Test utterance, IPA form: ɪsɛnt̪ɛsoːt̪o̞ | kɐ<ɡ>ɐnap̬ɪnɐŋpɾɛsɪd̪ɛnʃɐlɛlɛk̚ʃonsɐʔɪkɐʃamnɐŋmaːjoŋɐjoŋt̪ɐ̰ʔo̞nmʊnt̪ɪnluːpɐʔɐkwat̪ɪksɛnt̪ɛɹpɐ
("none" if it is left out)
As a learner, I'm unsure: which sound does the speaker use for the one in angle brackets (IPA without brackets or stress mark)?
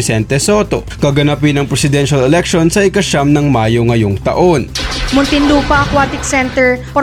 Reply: ɡ